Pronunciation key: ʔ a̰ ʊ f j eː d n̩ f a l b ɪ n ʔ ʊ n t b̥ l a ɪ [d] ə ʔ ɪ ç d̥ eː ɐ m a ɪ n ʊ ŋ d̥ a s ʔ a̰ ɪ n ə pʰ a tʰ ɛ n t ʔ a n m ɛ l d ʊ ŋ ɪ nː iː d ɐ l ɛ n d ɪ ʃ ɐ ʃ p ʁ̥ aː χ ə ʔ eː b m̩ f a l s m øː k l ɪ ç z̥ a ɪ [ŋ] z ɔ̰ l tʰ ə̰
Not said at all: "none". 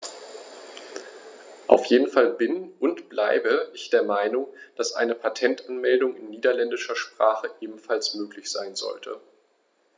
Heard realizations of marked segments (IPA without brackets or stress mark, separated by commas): b, n